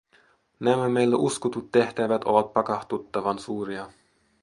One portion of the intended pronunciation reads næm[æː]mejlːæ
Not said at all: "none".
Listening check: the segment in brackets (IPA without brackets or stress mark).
æ